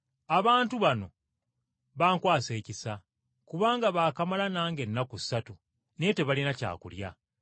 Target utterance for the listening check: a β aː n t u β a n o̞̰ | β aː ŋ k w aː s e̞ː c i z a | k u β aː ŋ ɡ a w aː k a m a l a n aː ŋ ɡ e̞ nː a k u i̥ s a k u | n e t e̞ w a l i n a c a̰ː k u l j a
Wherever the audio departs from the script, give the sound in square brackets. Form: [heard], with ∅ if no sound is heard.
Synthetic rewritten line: a β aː n t u β a n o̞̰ | β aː ŋ k w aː s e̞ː c i [s] a | k u β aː ŋ ɡ a [β] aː k a m a l a n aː ŋ ɡ e̞ nː a k u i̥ s a [t] u | n e t e̞ [β] a l i n a c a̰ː k u l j a

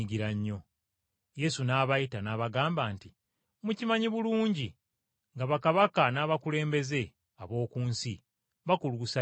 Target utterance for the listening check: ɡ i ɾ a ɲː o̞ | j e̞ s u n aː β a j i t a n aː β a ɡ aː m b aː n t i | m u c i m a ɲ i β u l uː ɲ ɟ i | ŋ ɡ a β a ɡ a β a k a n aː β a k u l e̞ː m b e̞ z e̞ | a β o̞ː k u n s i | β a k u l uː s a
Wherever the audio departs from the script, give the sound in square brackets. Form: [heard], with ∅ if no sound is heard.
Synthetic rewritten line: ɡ i ɾ a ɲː o̞ | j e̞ s u n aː β a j i t a n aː β a ɡ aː m b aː n t i | m u c i m a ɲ i β u l uː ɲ ɟ i | ŋ ɡ a β a [k] a β a k a n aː β a k u l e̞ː m b e̞ z e̞ | a β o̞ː k [uː] n s i | β a k u l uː s a

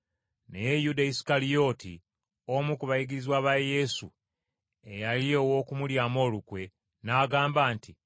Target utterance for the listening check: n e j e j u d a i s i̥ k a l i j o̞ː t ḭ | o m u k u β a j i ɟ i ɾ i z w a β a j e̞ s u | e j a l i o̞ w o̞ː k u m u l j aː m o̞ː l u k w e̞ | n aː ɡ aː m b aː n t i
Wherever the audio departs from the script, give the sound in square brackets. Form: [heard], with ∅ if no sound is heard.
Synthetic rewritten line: n e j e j u d a i s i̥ k a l i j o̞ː t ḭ | o m u k u β a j i [ɡ] i ɾ i z w a β a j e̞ s u | e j a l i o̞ w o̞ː k u m u l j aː m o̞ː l u k w e̞ | n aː ɡ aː m b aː n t i

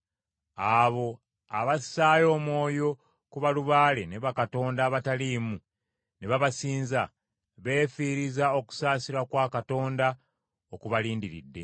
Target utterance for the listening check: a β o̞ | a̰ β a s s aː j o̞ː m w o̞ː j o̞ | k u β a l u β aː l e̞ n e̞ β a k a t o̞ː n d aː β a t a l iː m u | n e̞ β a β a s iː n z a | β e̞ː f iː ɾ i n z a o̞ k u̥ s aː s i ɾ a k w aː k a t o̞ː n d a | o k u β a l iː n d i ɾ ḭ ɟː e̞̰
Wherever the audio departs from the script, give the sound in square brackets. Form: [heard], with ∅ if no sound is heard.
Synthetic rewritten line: a β o̞ | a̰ β a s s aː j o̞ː m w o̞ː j o̞ | k u β a l u β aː l e̞ n e̞ β a k a t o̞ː n d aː β a t a l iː m u | n e̞ β a β a s iː n z a | β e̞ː f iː ɾ i [∅] z a o̞ k u̥ s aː s i ɾ a k w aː k a t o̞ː n d a | o k u β a l iː n d i ɾ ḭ [dː] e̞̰

